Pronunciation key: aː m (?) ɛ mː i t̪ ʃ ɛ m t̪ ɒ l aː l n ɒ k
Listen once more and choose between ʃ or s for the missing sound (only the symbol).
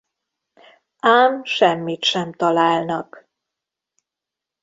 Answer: ʃ